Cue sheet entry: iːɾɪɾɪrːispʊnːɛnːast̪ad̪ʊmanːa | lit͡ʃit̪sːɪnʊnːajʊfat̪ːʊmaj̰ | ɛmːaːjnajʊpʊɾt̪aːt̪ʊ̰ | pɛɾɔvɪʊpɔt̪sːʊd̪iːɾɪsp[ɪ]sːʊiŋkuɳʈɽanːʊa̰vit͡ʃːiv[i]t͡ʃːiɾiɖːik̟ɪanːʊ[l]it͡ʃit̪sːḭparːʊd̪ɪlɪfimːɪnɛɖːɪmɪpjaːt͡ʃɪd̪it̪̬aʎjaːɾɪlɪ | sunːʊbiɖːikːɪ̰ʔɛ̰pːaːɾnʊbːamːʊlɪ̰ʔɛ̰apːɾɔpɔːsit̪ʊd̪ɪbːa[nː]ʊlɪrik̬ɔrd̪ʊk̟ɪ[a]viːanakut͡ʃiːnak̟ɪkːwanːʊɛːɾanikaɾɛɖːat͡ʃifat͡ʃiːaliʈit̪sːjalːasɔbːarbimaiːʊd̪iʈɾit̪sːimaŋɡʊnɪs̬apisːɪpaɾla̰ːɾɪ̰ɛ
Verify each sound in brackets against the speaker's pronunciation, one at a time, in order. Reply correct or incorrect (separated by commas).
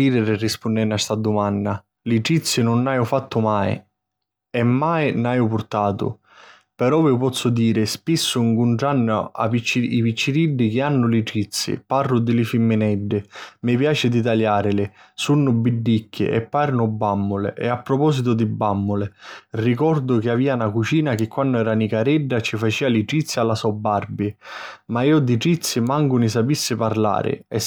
incorrect, correct, correct, incorrect, correct